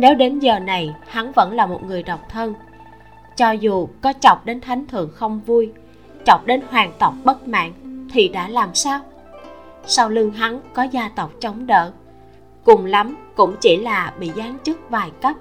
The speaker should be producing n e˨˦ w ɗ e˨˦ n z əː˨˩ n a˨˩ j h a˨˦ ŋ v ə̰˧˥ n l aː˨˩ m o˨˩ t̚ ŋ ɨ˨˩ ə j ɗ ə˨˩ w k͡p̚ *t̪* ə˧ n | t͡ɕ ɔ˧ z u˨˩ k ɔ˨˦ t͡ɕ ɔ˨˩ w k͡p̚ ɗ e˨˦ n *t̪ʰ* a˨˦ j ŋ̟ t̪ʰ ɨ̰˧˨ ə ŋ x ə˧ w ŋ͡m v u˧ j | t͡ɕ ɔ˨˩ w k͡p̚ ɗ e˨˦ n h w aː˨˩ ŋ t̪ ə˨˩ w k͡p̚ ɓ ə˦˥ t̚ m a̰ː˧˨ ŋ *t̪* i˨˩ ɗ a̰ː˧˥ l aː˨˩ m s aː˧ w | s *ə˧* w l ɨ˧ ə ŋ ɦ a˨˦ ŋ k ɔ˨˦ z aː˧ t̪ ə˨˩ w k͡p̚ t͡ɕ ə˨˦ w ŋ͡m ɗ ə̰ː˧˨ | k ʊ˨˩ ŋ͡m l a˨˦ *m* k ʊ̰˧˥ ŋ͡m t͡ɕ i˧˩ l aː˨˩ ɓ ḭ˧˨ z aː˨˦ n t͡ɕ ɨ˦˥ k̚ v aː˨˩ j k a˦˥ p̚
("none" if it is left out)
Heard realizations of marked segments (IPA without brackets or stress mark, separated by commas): t̪ʰ, t̪ʰ, t̪ʰ, a˧, m